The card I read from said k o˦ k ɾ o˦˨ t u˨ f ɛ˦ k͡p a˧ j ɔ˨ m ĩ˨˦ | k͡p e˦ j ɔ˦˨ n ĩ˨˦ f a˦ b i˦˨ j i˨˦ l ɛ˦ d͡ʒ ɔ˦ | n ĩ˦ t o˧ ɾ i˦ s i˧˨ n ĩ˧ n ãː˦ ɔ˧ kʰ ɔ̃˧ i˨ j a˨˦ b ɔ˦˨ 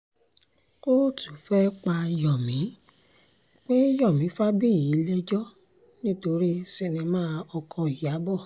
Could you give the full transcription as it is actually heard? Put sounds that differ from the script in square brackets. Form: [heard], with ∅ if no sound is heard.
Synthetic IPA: k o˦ [∅] ɾ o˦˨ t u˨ f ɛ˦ k͡p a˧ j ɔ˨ m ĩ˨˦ | k͡p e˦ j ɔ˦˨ [m] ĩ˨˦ f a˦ b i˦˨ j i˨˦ l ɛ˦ d͡ʒ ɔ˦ | n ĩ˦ t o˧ ɾ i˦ s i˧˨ n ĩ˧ [m] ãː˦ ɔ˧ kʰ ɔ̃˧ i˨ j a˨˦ b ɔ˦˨